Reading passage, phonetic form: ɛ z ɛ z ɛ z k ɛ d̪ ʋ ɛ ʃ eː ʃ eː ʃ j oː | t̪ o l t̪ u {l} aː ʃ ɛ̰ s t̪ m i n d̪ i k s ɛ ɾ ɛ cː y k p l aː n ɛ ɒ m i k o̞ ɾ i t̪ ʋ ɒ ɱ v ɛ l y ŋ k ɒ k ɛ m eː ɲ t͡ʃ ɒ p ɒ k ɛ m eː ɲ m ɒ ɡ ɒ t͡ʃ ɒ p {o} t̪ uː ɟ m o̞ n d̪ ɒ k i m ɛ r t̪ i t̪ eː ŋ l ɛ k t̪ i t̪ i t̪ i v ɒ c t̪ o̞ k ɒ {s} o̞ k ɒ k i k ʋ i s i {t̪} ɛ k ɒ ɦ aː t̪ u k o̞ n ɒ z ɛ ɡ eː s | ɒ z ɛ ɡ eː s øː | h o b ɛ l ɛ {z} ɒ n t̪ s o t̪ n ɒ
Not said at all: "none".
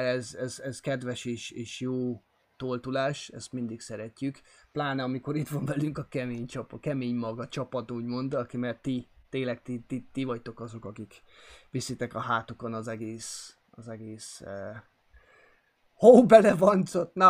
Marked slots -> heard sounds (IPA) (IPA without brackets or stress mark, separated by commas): l, ɒ, z, t̪, v